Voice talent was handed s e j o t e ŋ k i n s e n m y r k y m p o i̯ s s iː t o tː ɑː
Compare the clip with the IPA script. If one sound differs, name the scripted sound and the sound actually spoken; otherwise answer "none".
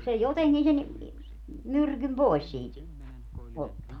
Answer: none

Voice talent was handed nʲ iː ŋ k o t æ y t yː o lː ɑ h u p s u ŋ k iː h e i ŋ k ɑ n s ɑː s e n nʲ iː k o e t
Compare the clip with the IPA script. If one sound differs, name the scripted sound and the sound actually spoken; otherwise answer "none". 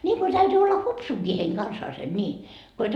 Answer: none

